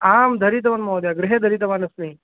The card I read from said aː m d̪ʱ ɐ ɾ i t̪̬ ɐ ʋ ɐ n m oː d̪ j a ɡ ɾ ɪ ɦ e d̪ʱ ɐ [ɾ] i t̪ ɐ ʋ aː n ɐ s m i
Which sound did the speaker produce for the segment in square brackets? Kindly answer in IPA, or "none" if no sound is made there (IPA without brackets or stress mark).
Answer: ɾ